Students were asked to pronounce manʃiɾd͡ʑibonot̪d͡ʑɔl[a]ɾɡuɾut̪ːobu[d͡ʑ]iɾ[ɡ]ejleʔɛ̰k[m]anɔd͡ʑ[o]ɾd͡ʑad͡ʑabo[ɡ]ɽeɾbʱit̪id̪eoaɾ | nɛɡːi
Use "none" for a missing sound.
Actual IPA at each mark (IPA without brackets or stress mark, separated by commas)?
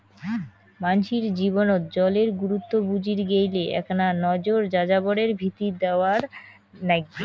e, d͡ʑ, ɡ, n, o, none